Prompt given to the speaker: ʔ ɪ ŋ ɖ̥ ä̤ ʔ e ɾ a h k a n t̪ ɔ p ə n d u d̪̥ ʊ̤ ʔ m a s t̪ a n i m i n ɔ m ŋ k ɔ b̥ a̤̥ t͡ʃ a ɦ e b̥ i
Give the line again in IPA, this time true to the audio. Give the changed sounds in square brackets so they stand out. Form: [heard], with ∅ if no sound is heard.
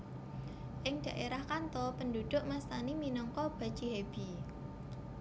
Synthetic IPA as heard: ʔ ɪ ŋ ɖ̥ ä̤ ʔ e ɾ a h k a n t̪ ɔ p ə n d u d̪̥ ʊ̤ ʔ m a s t̪ a n i m i n ɔ [∅] ŋ k ɔ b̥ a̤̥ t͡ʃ [i] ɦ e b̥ i

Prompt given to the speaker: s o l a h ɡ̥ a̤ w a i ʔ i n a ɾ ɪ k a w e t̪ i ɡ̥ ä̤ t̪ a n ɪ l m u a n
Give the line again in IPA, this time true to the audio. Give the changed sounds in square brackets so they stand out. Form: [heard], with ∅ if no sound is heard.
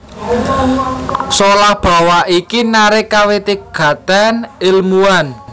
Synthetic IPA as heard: s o l a h [b̥] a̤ w a i [k] i n a ɾ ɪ k a w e t̪ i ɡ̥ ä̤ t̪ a n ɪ l m u a n

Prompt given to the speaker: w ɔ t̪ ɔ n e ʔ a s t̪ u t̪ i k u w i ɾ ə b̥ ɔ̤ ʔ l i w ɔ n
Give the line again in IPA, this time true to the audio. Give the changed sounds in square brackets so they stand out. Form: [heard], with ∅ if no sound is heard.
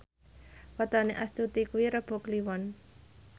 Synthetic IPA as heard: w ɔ t̪ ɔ n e ʔ a s t̪ u t̪ i k u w i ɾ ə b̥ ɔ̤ [k] l i w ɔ n

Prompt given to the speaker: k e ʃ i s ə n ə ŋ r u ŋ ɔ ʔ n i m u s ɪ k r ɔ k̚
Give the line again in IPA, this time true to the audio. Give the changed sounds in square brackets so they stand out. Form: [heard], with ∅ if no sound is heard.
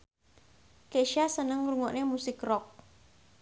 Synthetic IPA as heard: k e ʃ [a] s ə n ə ŋ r u ŋ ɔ ʔ n [e] m u s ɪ k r ɔ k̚

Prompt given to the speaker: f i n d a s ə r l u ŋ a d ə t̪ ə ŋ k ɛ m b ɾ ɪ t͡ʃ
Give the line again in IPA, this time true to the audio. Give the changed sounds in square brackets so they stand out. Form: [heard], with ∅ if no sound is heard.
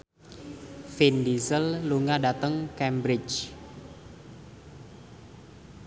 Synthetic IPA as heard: f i n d [i] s ə [l] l u ŋ a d [a] t̪ ə ŋ k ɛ m b ɾ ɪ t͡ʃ

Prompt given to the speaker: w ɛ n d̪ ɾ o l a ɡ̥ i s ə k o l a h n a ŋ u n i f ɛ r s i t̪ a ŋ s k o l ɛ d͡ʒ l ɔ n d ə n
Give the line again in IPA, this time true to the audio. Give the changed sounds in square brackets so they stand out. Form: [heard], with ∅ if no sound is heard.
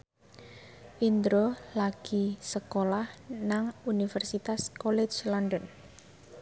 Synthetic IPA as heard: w [i] n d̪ ɾ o l a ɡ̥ i s ə k o l a h n a ŋ u n i f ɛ r s i t̪ a [∅] s k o l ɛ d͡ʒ l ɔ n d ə n

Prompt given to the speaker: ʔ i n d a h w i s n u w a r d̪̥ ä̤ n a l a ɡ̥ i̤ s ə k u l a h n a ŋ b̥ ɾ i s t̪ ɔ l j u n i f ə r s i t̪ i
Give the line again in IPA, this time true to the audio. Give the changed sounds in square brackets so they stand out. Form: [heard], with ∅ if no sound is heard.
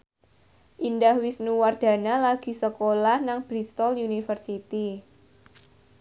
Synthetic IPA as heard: ʔ i n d a h w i s n u w a r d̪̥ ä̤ n a l a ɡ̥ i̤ s ə k [o] l a h n a ŋ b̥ ɾ i s t̪ ɔ l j u n i f ə r s i t̪ i

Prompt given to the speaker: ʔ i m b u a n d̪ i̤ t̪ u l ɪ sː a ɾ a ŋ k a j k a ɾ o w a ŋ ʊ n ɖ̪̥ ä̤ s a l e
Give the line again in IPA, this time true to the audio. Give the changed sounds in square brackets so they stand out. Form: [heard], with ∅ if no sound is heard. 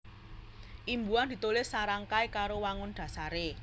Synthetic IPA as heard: ʔ i m b u a n d̪ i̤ t̪ u l ɪ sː a ɾ a ŋ k a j k a ɾ o w a ŋ ʊ n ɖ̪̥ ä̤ s a [ɾ] e

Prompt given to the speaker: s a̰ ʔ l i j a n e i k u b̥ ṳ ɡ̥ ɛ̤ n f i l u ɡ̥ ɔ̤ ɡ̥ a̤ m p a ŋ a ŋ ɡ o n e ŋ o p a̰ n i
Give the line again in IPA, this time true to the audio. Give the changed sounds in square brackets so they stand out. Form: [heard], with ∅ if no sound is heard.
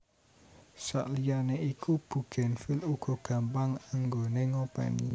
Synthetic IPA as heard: s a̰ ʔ l i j a n e i k u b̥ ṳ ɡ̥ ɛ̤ n f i l u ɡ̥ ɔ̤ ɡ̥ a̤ m p a ŋ a ŋ ɡ o n e ŋ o p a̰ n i

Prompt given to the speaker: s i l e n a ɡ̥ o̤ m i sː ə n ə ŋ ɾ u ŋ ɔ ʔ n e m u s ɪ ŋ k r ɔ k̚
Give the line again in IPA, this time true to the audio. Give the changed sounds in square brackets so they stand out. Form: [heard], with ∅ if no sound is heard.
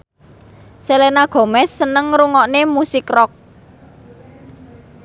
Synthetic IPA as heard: s [e] l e n a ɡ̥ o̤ m [ɛ] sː ə n ə ŋ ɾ u ŋ ɔ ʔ n e m u s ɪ [∅] k r ɔ k̚

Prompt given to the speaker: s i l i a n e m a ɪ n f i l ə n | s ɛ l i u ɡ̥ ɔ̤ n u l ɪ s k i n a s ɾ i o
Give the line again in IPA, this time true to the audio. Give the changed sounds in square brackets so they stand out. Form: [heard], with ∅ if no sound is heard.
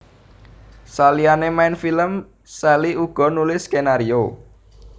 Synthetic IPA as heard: s [a] l i a n e m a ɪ n f i l ə [m] | s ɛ l i u ɡ̥ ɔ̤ n u l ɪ s k [e] n a [∅] ɾ i o

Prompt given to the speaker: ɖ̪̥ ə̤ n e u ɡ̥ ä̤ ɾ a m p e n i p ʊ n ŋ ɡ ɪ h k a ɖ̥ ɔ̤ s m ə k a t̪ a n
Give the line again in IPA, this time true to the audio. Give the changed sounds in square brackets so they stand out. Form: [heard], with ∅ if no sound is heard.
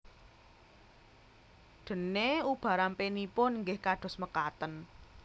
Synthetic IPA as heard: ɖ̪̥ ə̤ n e u [b̥] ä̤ ɾ a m p e n i p ʊ n ŋ ɡ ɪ h k a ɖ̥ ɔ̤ s m ə k a t̪ [ə] n

